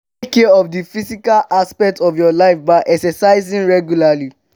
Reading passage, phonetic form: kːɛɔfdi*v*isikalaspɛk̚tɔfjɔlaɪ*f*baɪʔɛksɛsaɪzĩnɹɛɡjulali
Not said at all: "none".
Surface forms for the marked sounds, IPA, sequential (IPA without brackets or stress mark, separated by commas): f, f